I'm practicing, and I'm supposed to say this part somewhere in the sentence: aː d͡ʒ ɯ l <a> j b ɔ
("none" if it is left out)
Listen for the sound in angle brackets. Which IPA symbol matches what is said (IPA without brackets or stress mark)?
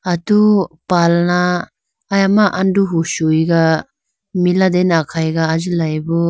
a